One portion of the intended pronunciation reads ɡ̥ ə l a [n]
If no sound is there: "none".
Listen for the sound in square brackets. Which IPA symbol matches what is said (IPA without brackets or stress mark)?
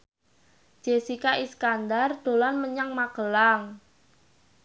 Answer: ŋ